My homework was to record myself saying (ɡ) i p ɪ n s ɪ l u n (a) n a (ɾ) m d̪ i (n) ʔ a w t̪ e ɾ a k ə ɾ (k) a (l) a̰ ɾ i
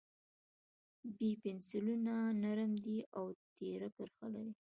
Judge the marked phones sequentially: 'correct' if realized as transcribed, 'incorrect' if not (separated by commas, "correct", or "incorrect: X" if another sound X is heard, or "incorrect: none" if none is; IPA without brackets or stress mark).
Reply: incorrect: b, correct, correct, incorrect: none, incorrect: x, correct